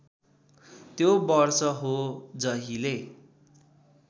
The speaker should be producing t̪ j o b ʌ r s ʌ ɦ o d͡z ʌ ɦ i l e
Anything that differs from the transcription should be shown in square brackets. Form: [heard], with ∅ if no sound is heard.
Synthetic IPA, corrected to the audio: t̪ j o b ʌ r s ʌ ɦ o d͡z ʌ ɦ i l e